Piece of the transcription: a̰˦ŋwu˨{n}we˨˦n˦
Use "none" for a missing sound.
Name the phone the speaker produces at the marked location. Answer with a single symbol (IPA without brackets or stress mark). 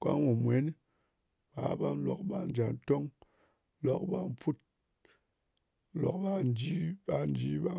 m